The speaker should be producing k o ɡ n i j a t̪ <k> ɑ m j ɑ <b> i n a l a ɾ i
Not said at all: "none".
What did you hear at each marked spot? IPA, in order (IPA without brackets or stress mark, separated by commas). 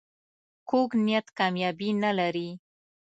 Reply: k, b